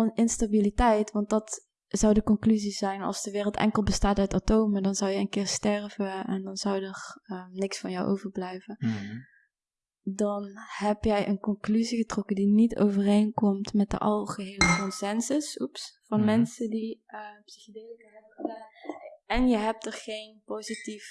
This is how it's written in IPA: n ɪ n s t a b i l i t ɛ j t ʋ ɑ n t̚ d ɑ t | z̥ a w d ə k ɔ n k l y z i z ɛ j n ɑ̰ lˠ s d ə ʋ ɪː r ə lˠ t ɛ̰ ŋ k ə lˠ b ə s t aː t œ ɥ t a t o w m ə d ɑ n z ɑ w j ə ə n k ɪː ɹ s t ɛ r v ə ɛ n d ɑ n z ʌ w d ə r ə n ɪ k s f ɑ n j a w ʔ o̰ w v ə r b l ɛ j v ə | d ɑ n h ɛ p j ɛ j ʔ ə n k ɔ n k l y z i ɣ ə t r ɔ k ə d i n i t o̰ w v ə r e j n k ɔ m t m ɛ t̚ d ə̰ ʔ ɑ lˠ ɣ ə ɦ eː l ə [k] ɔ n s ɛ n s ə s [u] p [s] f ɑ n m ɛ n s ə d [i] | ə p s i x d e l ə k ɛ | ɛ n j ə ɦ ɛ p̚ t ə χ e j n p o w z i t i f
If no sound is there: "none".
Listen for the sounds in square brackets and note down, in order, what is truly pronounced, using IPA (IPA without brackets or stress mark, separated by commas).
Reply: k, u, s, i